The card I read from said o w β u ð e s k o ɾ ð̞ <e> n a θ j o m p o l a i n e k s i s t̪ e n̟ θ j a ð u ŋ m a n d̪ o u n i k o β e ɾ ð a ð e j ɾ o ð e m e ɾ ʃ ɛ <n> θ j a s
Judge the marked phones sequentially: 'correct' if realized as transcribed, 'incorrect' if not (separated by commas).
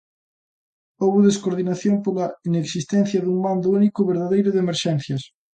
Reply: incorrect, correct